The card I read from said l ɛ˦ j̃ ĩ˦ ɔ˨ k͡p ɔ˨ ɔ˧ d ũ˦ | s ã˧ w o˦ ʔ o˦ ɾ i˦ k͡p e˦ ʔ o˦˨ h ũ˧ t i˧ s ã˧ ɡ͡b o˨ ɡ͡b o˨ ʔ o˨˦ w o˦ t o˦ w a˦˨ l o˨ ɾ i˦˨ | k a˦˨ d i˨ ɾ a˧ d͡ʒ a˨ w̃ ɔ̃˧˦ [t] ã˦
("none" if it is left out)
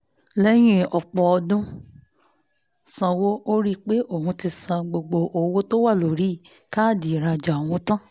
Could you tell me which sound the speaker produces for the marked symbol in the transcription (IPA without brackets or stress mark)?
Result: t